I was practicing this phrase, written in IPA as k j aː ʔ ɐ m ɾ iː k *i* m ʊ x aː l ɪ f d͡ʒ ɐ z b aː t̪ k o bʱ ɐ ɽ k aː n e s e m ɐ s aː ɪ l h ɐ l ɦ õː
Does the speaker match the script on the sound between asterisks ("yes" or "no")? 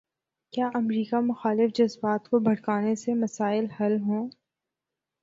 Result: no